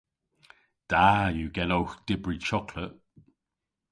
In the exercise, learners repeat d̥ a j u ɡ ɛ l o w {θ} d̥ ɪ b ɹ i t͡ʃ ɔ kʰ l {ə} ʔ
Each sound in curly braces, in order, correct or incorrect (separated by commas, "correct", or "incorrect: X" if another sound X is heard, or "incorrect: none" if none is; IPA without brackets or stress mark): incorrect: x, correct